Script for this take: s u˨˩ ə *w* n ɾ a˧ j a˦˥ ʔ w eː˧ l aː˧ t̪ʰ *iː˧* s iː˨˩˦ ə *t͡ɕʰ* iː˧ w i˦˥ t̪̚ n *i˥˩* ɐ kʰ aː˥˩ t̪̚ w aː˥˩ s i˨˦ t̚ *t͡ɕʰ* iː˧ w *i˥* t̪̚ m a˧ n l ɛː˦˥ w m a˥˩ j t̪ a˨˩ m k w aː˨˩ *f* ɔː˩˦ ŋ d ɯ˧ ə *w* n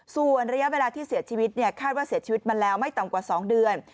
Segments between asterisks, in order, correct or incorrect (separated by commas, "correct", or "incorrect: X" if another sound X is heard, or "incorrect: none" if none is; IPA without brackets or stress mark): incorrect: none, incorrect: iː˥˩, correct, correct, incorrect: t͡ɕ, correct, incorrect: s, incorrect: none